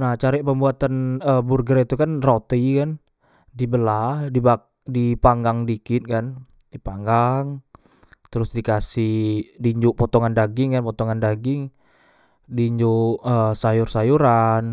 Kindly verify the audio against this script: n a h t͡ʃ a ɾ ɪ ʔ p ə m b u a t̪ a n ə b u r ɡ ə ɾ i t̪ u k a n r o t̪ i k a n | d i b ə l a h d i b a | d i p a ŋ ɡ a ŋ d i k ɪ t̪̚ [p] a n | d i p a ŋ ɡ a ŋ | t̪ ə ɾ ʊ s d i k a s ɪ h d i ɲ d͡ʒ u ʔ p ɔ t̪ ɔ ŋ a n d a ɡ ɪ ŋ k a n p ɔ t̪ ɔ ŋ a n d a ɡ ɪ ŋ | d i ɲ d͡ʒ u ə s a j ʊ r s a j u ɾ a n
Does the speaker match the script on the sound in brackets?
no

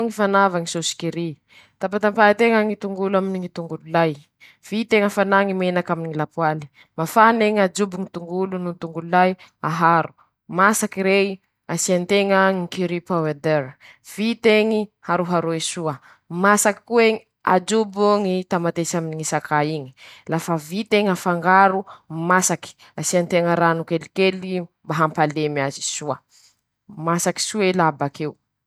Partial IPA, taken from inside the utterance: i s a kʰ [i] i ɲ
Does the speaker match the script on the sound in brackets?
no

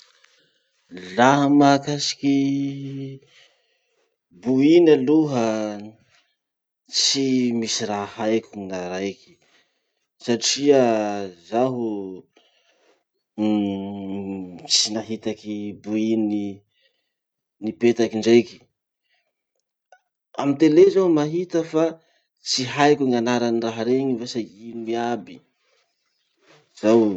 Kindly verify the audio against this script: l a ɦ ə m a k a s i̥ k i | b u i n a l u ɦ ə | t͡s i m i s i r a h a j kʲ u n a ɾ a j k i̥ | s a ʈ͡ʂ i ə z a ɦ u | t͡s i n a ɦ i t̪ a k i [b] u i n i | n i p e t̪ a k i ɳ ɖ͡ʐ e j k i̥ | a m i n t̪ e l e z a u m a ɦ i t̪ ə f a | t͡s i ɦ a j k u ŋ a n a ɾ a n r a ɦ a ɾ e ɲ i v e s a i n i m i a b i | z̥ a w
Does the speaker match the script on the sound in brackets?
yes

